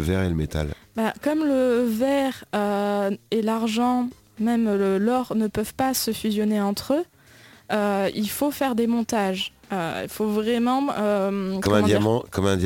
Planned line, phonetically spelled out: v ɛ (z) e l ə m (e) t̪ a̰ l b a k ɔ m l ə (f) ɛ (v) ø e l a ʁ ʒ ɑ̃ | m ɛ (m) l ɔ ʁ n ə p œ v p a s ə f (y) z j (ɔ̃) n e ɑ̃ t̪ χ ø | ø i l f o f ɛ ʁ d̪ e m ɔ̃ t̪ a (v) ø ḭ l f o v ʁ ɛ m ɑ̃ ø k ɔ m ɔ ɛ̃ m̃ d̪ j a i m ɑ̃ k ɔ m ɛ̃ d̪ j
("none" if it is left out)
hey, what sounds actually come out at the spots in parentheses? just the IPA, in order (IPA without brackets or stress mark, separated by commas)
ʁ, e, v, ʁ, m, y, ɔ, ʒ